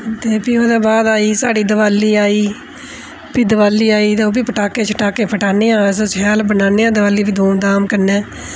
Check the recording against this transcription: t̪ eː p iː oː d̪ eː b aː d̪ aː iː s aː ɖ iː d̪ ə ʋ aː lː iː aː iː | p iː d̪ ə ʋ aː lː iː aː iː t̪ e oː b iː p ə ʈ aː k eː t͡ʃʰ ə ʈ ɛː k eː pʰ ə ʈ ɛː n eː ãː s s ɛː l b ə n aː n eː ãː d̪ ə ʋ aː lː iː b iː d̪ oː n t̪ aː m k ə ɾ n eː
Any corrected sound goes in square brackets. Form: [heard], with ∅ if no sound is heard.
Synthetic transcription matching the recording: t̪ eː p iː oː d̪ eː b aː d̪ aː iː s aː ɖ iː d̪ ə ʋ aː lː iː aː iː | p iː d̪ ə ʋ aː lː iː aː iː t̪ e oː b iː p ə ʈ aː k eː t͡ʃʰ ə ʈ [aː] k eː pʰ ə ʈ [aː] n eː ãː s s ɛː l b ə n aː n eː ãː d̪ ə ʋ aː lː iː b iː d̪ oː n [d̪] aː m k ə ɾ n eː

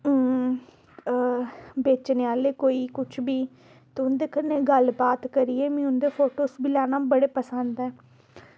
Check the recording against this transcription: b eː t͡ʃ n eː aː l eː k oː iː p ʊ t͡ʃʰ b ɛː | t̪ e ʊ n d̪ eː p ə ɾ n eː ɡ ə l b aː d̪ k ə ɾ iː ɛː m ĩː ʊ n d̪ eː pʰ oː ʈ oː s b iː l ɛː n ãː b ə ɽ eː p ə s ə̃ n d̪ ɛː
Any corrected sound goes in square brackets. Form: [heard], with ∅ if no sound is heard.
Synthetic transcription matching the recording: b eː t͡ʃ n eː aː l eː k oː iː [k] ʊ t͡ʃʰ b [iː] | t̪ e ʊ n d̪ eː [k] ə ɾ n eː ɡ ə l b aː [t̪] k ə ɾ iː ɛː m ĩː ʊ n d̪ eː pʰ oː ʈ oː s b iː l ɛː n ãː b ə ɽ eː p ə s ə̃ n d̪ ɛː

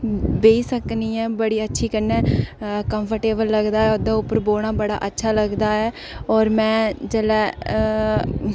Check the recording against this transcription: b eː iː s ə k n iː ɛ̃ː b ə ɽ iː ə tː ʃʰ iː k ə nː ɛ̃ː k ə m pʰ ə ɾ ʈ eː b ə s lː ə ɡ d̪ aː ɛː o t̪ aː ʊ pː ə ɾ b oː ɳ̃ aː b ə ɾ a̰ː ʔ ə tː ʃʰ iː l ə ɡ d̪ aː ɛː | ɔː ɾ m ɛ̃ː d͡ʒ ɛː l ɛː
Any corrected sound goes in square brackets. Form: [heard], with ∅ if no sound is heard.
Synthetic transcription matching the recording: b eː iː s ə k n iː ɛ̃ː b ə ɽ iː ə tː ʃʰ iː k ə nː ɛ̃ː k ə m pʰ ə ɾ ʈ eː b ə [∅] lː ə ɡ d̪ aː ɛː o [d̪] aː ʊ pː ə ɾ b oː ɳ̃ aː b ə [ɽ] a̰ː ʔ ə tː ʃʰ [aː] l ə ɡ d̪ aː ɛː | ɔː ɾ m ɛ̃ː d͡ʒ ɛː l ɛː

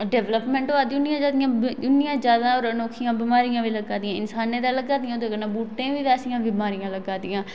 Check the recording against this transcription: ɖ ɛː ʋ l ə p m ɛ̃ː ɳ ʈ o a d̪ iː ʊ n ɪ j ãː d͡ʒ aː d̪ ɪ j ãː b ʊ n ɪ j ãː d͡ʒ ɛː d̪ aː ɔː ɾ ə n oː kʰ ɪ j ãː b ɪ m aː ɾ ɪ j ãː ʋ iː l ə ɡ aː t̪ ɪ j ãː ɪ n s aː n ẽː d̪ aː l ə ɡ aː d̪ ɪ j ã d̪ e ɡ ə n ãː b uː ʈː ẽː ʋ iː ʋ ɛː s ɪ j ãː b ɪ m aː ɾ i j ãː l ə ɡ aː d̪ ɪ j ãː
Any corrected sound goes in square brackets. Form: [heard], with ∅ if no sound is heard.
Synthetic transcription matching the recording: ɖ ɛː ʋ l ə p m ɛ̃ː ɳ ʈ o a d̪ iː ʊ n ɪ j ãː d͡ʒ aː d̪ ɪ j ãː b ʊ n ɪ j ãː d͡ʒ [aː] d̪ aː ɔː ɾ ə n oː kʰ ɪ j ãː b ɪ m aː ɾ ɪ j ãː ʋ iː l ə ɡ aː [d̪] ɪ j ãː ɪ n s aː n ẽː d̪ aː l ə ɡ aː d̪ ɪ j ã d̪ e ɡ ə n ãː b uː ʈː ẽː ʋ iː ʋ ɛː s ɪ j ãː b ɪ m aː ɾ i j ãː l ə ɡ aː d̪ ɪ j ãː

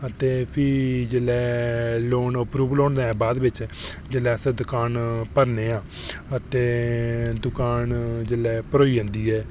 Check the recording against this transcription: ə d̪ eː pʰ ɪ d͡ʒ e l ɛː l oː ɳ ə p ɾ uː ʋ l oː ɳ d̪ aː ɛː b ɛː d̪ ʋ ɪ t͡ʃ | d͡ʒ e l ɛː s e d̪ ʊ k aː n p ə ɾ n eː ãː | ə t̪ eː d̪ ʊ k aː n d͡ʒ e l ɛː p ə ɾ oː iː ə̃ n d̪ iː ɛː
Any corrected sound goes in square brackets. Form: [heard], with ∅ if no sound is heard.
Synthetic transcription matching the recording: ə [t̪] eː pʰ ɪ d͡ʒ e l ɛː l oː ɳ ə p ɾ uː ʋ l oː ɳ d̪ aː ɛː b [aː] d̪ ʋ ɪ t͡ʃ | d͡ʒ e l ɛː s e d̪ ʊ k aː n p ə ɾ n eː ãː | ə t̪ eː d̪ ʊ k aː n d͡ʒ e l ɛː p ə ɾ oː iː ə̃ n d̪ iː ɛː

